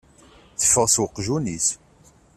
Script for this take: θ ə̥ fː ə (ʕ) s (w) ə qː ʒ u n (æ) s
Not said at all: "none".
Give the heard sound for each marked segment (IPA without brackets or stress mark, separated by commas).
ʁ, w, i